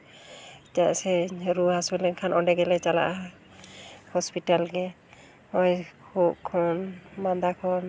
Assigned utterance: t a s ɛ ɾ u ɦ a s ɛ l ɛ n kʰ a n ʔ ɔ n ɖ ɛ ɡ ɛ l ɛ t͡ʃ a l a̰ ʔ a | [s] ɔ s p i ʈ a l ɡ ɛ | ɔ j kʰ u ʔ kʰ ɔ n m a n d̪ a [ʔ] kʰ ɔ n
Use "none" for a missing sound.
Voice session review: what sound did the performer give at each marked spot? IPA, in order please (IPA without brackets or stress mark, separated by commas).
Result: h, none